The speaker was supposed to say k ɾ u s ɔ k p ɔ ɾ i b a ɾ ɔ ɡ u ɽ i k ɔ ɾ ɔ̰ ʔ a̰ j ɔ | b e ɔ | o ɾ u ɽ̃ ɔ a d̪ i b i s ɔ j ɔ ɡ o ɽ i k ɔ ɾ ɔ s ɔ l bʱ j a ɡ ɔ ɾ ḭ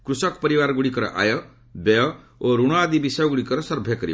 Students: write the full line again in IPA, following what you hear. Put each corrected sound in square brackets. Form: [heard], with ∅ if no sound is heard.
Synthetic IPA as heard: k ɾ u s ɔ k p ɔ ɾ i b a ɾ ɔ ɡ u ɽ i k ɔ ɾ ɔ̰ ʔ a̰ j ɔ | b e ɔ | o ɾ u ɽ̃ ɔ a d̪ i b i s ɔ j ɔ ɡ [u] ɽ i k ɔ ɾ ɔ s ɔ [ɾ] bʱ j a [k] ɔ ɾ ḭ

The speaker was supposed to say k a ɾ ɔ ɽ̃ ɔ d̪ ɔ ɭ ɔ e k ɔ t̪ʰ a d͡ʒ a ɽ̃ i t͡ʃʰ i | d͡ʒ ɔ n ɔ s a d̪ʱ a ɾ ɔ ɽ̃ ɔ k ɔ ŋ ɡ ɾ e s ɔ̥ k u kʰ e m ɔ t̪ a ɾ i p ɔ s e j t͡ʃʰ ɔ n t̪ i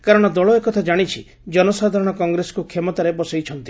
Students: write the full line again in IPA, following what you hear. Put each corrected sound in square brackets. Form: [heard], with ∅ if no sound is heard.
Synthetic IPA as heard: k a ɾ ɔ ɽ̃ ɔ d̪ ɔ ɭ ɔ e k ɔ t̪ʰ a d͡ʒ a ɽ̃ i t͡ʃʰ i | d͡ʒ ɔ n ɔ s a d̪ʱ a ɾ ɔ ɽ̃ ɔ k ɔ ŋ ɡ ɾ e s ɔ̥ k u kʰ e m ɔ t̪ a ɾ [e] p ɔ s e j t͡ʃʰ ɔ n t̪ i

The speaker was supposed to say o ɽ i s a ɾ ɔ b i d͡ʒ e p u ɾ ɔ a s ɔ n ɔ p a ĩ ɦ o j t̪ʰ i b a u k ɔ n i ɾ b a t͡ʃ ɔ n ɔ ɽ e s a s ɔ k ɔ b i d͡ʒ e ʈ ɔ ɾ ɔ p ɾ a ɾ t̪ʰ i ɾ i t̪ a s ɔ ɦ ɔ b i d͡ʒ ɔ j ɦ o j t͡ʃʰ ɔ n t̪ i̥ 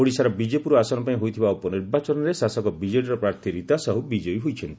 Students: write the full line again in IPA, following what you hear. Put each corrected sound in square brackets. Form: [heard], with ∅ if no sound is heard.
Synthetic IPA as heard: o ɽ i s a ɾ ɔ b i d͡ʒ e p u ɾ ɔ a s ɔ n ɔ p a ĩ ɦ o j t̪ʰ i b a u [p] ɔ n i ɾ b a t͡ʃ ɔ n ɔ [ɾ] e s a s ɔ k ɔ b i d͡ʒ e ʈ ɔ ɾ ɔ p ɾ a ɾ t̪ʰ i ɾ i t̪ a s ɔ ɦ [u] b i d͡ʒ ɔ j ɦ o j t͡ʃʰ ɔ n t̪ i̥

